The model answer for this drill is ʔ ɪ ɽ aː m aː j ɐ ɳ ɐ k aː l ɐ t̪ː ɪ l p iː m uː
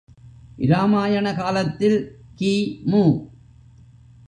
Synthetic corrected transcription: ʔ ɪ ɾ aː m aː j ɐ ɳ ɐ k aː l ɐ t̪ː ɪ l k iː m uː